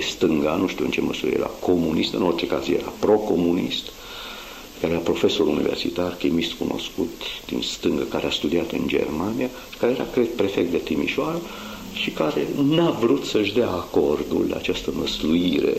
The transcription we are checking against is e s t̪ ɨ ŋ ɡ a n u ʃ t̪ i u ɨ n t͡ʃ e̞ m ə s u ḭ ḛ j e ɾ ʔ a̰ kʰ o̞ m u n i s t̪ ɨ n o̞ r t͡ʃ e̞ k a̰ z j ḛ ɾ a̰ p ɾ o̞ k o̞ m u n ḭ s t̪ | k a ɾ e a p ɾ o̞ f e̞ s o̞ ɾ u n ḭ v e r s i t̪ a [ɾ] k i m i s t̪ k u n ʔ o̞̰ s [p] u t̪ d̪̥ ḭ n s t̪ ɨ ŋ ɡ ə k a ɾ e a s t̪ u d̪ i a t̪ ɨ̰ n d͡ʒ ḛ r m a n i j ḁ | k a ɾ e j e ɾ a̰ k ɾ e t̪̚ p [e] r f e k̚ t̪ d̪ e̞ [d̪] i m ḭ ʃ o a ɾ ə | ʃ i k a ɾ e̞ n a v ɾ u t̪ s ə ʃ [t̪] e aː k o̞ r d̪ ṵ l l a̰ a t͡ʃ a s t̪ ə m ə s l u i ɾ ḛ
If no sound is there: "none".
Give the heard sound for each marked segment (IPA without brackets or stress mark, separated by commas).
r, k, e, t̪, d̪